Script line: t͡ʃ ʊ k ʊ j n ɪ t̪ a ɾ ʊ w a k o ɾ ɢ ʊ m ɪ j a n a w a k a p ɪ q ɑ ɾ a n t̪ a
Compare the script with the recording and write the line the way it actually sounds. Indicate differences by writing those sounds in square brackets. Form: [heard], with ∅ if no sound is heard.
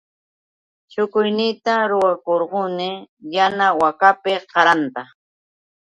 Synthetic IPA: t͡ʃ ʊ k ʊ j n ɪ t̪ a ɾ ʊ w a k o ɾ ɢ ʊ [n] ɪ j a n a w a k a p ɪ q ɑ ɾ a n t̪ a